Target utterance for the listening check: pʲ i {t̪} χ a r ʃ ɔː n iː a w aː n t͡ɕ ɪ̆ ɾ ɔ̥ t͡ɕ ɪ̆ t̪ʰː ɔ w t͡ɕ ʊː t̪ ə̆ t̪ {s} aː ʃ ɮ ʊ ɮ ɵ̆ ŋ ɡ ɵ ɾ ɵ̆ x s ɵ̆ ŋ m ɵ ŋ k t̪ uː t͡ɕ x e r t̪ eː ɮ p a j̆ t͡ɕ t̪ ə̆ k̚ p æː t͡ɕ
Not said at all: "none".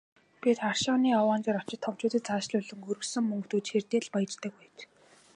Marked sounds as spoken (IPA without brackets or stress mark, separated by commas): t̪, t͡s